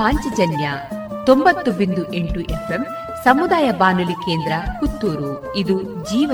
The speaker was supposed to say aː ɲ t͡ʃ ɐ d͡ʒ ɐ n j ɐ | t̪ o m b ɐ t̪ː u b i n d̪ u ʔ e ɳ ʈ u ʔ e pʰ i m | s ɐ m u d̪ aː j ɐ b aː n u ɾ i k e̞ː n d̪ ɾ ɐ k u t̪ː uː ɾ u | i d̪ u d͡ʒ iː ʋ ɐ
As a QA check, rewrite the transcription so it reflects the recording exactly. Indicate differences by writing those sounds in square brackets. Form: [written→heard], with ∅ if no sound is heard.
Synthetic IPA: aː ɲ t͡ʃ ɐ d͡ʒ ɐ n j ɐ | t̪ o m b ɐ t̪ː u b i n d̪ u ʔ e ɳ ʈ u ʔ e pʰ [i→e] m | s ɐ m u d̪ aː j ɐ b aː n u [ɾ→l] i k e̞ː n d̪ ɾ ɐ k u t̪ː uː ɾ u | i d̪ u d͡ʒ iː ʋ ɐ